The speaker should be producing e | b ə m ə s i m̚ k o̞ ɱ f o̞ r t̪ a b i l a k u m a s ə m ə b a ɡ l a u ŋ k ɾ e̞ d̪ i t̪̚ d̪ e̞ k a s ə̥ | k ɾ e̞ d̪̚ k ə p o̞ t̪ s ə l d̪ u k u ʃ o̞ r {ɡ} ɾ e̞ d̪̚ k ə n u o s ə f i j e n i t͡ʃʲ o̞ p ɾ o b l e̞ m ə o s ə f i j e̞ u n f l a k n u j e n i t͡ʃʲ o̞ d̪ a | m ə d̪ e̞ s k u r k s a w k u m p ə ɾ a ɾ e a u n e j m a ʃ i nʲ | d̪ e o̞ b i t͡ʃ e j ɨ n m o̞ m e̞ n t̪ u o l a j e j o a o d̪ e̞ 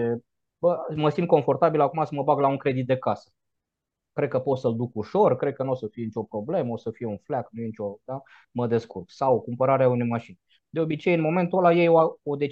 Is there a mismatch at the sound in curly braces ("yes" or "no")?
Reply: yes